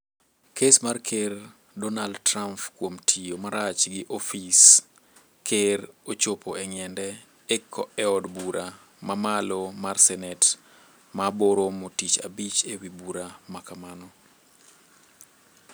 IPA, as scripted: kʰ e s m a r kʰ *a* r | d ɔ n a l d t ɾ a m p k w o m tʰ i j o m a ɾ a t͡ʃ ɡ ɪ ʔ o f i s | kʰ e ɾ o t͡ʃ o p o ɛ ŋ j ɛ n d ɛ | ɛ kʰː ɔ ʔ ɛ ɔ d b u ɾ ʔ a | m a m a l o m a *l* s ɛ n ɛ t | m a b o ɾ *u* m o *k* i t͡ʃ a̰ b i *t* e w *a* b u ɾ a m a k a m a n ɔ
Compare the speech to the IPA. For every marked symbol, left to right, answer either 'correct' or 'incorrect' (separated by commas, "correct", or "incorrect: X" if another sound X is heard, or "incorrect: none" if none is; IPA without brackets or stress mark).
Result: incorrect: e, incorrect: r, incorrect: o, incorrect: t, incorrect: t͡ʃ, incorrect: i